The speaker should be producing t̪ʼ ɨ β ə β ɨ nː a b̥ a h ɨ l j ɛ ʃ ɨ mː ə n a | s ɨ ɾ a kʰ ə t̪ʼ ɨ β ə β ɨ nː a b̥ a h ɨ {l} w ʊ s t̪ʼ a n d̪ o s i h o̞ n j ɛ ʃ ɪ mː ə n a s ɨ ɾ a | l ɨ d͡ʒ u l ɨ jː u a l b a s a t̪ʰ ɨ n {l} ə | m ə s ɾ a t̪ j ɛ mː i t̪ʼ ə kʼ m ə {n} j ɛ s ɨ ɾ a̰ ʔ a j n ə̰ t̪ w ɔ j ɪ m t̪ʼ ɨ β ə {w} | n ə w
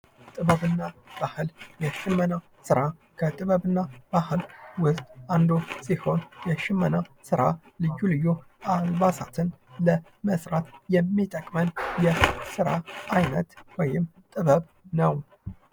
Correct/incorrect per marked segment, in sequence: correct, correct, correct, incorrect

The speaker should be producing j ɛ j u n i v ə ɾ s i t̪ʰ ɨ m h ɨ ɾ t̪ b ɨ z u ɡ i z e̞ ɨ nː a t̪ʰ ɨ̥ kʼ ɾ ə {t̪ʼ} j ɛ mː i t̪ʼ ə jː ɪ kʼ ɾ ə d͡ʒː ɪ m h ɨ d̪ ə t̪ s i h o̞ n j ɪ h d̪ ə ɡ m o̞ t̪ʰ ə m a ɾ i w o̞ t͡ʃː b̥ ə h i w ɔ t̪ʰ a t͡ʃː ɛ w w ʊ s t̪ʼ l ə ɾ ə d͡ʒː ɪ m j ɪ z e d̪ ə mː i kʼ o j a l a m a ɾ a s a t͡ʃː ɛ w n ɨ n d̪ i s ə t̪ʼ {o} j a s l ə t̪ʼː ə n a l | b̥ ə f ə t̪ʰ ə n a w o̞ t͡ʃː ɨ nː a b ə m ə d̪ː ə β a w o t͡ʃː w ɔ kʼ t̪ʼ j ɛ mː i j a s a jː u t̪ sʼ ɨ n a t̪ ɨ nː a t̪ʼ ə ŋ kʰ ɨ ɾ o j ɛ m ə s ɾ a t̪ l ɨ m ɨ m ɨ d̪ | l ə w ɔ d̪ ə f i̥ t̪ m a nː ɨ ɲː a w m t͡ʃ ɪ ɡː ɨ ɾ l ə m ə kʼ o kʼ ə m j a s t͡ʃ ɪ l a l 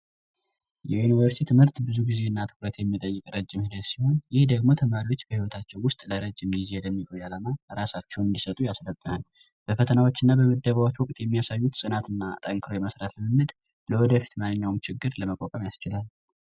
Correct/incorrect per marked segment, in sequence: incorrect, incorrect

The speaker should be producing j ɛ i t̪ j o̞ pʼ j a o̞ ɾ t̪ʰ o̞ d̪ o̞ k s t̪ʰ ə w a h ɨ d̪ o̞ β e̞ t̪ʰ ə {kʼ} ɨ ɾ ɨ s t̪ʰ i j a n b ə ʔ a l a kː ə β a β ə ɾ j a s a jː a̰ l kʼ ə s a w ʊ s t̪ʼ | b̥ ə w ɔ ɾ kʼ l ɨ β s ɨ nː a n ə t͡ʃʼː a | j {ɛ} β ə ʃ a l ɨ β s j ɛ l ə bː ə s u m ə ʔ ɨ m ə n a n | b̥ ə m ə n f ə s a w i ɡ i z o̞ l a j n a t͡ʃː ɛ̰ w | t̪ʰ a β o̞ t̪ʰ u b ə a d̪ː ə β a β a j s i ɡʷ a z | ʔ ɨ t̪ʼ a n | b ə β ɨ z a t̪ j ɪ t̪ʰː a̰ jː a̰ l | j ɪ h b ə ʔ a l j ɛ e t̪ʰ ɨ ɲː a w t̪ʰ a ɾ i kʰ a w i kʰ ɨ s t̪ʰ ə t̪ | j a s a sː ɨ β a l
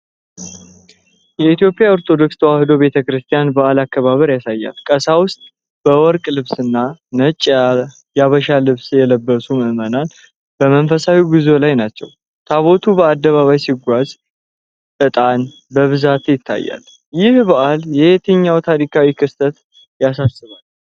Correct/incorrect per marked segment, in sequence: incorrect, incorrect

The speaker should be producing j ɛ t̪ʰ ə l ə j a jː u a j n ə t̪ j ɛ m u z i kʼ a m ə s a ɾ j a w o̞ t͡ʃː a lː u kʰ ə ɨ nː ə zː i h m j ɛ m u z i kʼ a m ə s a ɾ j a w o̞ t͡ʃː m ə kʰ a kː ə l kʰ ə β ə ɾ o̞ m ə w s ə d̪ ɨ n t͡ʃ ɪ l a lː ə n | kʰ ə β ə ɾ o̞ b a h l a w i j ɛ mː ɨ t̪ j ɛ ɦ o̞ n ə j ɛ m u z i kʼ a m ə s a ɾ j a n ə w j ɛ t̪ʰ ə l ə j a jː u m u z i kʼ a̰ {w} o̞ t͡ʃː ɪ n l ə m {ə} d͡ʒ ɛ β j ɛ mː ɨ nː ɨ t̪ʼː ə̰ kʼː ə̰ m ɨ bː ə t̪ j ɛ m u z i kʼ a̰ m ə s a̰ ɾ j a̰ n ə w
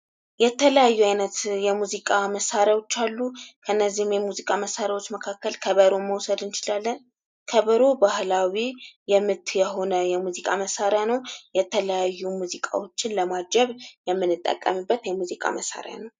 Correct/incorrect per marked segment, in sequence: correct, incorrect

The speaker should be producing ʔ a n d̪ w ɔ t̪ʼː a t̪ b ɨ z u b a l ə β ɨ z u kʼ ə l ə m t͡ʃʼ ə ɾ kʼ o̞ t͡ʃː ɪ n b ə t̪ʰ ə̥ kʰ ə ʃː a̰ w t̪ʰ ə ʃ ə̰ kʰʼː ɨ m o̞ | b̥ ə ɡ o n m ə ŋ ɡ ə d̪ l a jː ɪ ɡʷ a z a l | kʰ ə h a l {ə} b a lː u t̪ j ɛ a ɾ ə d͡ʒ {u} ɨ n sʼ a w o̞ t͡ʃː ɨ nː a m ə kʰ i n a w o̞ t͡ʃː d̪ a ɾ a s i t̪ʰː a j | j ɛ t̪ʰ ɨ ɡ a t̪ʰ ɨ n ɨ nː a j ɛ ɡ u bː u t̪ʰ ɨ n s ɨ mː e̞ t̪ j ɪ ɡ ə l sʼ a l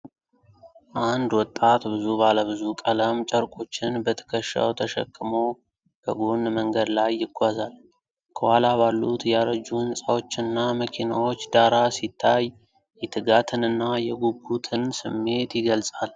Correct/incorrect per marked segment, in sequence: incorrect, correct

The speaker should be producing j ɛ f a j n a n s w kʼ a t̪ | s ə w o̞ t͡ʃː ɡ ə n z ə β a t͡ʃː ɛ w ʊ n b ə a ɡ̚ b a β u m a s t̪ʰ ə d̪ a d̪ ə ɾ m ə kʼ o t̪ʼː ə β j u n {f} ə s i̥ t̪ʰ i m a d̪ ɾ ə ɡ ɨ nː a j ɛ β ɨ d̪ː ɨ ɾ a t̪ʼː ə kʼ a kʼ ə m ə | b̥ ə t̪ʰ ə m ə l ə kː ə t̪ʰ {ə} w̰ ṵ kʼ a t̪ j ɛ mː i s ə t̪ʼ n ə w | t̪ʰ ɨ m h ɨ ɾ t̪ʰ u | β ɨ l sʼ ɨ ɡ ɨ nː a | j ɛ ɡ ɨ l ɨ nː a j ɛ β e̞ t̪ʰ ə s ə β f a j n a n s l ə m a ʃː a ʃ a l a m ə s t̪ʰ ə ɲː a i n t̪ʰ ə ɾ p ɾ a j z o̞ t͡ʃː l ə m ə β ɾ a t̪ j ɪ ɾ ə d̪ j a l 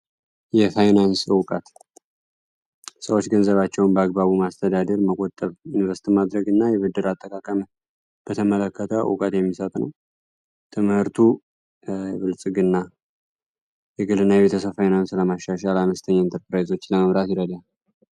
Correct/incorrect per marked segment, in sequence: incorrect, correct

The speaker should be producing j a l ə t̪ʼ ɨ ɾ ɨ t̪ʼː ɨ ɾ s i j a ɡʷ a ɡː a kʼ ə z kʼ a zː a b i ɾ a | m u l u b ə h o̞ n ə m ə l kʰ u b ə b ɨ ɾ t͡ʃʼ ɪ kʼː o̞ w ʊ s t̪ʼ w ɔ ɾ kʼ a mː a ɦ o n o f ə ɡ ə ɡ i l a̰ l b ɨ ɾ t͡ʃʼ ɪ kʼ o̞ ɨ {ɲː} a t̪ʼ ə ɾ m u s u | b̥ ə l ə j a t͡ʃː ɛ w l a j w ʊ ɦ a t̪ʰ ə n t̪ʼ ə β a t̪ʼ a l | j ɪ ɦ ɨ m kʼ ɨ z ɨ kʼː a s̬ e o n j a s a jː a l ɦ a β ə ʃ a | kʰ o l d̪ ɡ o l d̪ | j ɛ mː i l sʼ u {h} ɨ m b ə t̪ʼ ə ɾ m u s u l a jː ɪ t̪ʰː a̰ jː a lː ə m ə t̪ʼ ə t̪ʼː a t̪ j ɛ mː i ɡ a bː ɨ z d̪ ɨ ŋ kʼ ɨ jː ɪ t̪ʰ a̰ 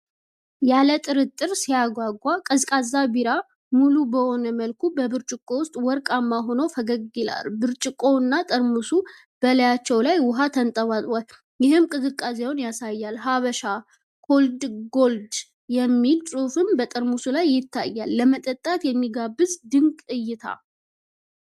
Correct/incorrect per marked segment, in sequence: incorrect, incorrect

